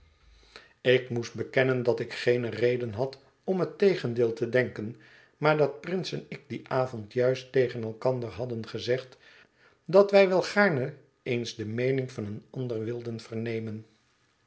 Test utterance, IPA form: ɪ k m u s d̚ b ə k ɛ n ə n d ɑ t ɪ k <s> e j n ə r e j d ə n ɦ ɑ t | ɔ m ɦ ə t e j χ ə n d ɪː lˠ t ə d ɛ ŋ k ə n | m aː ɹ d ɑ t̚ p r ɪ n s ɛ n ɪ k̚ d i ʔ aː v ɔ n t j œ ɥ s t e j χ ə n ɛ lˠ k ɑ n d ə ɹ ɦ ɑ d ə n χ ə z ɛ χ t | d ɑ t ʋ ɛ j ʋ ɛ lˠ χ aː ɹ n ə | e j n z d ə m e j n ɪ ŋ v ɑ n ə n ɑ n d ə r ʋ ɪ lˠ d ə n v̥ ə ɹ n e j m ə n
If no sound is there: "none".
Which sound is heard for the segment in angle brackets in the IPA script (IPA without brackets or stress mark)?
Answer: χ